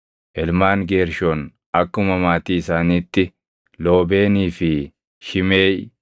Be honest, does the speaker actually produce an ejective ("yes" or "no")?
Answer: no